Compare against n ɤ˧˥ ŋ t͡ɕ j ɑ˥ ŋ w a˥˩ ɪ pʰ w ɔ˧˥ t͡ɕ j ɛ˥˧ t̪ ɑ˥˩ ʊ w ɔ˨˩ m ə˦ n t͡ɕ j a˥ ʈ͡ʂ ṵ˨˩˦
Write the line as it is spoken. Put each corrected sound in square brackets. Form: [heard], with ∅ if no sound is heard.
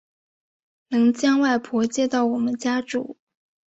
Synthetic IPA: n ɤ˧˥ ŋ t͡ɕ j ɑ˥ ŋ w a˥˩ ɪ pʰ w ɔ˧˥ t͡ɕ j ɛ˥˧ t̪ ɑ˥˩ ʊ w ɔ˨˩ m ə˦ n t͡ɕ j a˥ ʈ͡ʂ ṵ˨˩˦